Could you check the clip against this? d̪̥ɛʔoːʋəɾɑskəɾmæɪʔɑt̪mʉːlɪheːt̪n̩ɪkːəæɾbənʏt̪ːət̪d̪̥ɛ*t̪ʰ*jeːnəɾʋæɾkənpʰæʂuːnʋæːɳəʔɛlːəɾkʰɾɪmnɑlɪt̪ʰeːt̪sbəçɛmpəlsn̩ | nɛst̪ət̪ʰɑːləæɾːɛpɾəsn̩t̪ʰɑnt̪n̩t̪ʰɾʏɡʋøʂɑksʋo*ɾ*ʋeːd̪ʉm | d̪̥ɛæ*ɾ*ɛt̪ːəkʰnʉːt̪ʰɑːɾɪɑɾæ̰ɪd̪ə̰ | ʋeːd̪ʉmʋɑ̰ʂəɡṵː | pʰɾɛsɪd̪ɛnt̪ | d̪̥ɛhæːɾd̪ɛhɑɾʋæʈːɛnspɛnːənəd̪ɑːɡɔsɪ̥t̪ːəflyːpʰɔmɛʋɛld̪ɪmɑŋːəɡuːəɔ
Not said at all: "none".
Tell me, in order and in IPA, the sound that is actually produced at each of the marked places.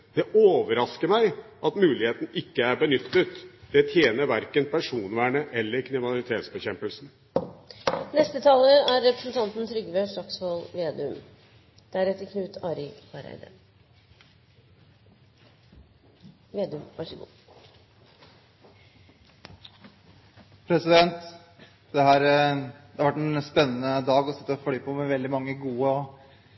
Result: t̪ʰ, l, ɾ

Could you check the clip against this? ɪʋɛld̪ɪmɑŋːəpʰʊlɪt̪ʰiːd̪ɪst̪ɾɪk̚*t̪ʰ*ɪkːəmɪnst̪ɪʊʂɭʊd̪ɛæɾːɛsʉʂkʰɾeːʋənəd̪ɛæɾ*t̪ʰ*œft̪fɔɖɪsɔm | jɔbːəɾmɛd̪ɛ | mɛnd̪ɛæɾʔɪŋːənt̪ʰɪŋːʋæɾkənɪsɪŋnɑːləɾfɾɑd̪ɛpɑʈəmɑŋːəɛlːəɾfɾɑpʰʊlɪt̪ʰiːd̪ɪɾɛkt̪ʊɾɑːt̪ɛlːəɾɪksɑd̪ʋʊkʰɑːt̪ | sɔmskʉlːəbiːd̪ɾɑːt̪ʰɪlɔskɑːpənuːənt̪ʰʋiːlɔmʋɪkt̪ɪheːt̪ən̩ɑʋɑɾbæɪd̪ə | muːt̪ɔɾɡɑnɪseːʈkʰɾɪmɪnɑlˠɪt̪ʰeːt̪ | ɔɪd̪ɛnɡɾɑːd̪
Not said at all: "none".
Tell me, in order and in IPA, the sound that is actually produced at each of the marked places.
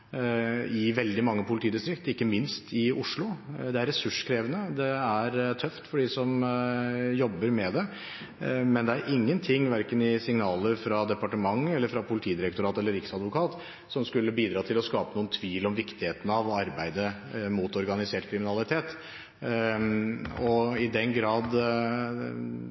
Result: t̪, t̪ʰ

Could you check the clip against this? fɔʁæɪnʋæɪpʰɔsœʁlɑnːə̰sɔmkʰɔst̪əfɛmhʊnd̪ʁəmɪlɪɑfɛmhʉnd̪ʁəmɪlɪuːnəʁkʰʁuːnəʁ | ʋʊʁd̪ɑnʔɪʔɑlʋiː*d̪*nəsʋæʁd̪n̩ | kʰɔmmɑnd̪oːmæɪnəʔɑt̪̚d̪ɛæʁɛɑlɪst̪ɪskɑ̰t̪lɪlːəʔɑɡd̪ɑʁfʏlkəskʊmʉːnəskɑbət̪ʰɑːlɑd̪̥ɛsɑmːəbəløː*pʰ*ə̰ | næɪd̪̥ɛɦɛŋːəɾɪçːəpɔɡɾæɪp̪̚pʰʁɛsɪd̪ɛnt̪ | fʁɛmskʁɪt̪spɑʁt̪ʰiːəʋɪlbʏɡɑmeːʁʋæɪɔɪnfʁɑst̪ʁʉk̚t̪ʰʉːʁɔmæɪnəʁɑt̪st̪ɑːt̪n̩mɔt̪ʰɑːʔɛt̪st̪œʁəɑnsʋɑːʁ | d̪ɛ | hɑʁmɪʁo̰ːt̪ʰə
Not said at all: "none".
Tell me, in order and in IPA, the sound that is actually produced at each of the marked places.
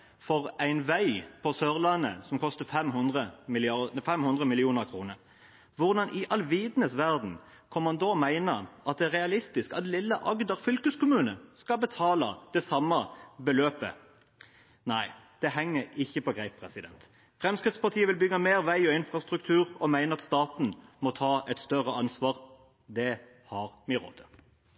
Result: d̪, p

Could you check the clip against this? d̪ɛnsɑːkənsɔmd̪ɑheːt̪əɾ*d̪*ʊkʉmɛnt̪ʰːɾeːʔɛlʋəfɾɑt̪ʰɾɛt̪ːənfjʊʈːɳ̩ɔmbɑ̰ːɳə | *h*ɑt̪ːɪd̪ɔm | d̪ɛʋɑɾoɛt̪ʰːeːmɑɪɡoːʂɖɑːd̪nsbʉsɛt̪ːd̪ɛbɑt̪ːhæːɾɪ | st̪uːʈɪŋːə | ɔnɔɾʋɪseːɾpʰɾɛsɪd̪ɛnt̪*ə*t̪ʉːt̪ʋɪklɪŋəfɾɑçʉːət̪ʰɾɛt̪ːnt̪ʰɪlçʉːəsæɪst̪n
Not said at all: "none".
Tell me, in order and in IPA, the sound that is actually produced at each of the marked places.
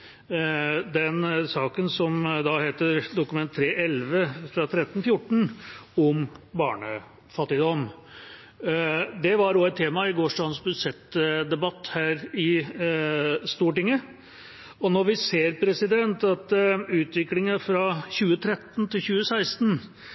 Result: d̪, f, ɑ

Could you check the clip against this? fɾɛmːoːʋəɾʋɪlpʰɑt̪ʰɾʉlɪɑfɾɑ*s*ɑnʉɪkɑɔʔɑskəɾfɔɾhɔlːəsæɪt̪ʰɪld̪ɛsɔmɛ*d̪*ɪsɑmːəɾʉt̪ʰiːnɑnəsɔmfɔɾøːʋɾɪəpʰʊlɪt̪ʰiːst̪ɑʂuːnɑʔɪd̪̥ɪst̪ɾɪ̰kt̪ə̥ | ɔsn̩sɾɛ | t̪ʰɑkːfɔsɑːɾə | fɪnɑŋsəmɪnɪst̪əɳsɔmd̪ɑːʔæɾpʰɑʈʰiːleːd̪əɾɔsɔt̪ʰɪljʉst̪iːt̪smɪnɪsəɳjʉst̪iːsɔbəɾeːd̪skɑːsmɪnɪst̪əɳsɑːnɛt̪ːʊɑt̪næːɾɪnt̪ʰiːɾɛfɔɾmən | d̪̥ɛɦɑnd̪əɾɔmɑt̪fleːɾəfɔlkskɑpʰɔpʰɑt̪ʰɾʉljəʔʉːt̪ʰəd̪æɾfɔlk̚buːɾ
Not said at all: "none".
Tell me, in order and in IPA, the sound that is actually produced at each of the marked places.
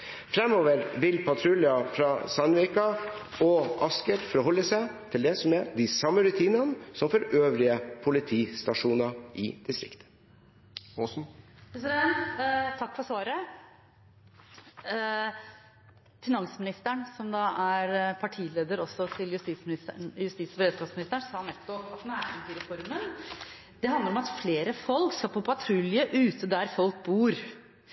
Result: s, d̪

